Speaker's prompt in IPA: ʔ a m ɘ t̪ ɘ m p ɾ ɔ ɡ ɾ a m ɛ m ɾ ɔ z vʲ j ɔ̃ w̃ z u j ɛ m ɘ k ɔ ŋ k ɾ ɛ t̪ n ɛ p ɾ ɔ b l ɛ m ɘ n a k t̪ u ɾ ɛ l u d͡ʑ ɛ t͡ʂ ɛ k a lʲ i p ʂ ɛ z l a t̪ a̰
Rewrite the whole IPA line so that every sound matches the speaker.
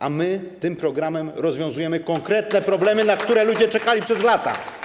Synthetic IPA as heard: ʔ a m ɘ t̪ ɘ m p ɾ ɔ ɡ ɾ a m ɛ m ɾ ɔ z vʲ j ɔ̃ w̃ z u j ɛ m ɘ k ɔ ŋ k ɾ ɛ t̪ n ɛ p ɾ ɔ b l ɛ m ɘ n a k t̪ u ɾ ɛ l u d͡ʑ ɛ t͡ʂ ɛ k a lʲ i p ʂ ɛ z l a t̪ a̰